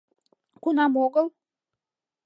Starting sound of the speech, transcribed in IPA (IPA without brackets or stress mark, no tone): k